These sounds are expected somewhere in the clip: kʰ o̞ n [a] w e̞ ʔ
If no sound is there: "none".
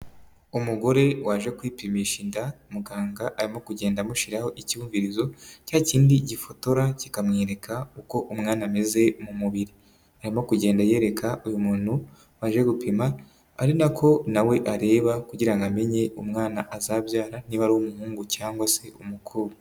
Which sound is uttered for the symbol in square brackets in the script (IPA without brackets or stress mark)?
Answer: a